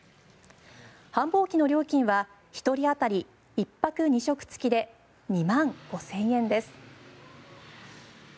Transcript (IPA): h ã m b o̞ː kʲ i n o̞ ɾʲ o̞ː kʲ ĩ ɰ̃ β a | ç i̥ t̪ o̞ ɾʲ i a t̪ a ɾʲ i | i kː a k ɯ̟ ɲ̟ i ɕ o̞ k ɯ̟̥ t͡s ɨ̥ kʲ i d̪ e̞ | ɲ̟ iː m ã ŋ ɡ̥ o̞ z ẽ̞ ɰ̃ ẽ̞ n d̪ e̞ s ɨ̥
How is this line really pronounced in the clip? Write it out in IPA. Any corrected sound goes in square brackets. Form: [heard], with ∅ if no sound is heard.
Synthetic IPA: h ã m b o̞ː kʲ i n o̞ ɾʲ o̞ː kʲ ĩ ɰ̃ β a | ç i̥ t̪ o̞ ɾʲ i a t̪ a ɾʲ i | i [pː] a k ɯ̟ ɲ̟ i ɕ o̞ k ɯ̟̥ t͡s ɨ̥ kʲ i d̪ e̞ | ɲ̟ [i] m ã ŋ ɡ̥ o̞ [s] ẽ̞ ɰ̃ ẽ̞ n d̪ e̞ s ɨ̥